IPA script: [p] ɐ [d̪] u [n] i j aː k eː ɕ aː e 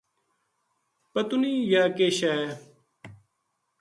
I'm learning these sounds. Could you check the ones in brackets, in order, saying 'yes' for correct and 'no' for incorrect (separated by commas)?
yes, no, yes